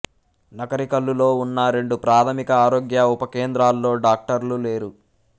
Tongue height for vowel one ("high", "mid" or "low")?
low